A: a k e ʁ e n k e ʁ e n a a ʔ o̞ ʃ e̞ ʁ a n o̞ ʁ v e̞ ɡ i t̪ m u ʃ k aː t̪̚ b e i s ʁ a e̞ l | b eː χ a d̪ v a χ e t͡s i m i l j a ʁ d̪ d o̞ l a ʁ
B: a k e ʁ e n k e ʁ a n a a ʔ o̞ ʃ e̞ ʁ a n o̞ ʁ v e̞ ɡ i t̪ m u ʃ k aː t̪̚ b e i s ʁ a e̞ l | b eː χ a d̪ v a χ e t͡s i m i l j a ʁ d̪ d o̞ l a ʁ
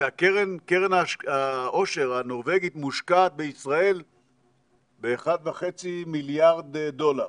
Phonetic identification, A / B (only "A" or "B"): A